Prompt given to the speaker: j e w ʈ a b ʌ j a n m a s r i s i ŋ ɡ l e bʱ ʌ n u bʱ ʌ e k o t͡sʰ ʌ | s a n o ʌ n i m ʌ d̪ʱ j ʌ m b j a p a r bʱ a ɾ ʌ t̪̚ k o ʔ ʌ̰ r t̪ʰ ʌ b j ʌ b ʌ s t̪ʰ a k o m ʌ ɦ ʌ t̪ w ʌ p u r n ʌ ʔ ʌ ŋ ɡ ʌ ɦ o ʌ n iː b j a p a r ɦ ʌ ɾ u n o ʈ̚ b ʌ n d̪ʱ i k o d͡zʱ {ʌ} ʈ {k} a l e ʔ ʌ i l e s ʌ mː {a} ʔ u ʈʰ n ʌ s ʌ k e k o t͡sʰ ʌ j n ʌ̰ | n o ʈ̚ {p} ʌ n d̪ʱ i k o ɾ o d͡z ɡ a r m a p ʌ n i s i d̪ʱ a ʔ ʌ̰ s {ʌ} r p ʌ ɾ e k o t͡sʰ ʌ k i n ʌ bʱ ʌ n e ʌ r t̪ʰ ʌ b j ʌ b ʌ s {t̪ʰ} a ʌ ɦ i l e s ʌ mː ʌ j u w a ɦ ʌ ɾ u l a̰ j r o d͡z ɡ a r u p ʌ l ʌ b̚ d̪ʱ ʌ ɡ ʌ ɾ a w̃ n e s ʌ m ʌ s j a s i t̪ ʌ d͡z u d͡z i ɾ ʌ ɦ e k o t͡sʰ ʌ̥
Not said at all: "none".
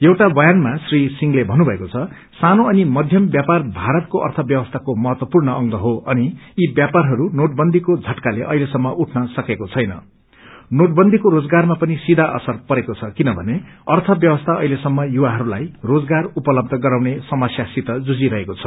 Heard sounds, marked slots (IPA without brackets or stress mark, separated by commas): ʌ, k, ʌ, b, ʌ, t̪ʰ